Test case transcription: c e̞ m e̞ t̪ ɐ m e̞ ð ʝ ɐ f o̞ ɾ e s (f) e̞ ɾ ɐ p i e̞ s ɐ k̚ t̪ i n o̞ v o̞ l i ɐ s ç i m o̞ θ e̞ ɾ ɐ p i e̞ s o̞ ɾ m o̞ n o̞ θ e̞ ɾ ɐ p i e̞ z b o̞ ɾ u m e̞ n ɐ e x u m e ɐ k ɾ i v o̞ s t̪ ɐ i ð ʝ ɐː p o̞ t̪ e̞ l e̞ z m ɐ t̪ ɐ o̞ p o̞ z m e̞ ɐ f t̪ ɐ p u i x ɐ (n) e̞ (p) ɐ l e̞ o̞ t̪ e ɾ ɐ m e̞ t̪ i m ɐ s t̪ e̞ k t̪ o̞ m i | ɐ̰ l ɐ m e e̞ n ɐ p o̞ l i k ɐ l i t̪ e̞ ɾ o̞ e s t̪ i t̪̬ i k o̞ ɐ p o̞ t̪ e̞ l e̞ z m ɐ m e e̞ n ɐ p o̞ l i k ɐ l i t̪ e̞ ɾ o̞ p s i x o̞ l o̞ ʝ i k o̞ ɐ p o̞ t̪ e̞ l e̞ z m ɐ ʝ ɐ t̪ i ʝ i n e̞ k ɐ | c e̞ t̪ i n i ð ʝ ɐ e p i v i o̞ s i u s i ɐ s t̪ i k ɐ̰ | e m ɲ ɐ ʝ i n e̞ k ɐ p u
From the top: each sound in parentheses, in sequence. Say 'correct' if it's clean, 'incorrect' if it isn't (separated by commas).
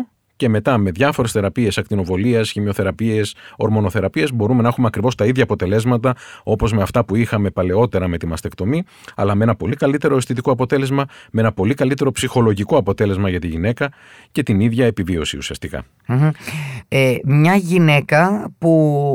incorrect, incorrect, correct